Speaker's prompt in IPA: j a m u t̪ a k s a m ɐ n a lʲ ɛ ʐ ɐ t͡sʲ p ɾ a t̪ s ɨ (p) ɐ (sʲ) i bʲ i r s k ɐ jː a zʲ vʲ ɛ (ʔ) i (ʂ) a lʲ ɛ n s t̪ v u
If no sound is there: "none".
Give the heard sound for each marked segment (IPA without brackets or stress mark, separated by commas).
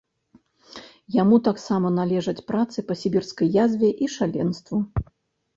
p, sʲ, ʔ, ʂ